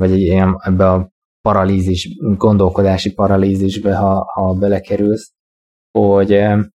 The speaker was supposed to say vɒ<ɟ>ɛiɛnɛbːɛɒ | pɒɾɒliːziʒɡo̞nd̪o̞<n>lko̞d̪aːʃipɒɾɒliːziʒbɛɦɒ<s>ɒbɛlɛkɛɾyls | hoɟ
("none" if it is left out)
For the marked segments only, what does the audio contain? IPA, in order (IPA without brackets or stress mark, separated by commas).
ɟ, none, h